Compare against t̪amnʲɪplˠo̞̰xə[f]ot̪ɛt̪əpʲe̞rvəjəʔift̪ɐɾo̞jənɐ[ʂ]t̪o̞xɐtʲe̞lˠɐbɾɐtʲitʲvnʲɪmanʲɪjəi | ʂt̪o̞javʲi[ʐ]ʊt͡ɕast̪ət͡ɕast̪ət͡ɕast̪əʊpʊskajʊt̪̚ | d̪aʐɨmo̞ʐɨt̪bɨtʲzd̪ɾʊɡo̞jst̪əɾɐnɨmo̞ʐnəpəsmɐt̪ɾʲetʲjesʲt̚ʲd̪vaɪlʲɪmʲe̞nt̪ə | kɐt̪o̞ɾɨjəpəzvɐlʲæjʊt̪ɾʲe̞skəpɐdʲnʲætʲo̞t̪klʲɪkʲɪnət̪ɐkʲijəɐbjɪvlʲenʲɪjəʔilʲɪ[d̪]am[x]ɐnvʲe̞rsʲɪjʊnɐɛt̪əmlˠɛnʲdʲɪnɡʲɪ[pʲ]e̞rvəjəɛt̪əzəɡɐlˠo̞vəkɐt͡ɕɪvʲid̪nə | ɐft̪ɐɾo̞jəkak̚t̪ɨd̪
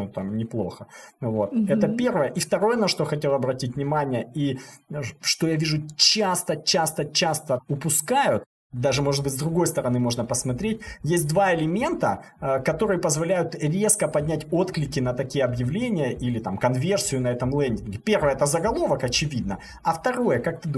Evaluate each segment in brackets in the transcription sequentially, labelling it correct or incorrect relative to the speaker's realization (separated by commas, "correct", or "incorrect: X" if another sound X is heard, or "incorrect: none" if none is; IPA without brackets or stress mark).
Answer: incorrect: v, correct, correct, incorrect: t̪, incorrect: k, correct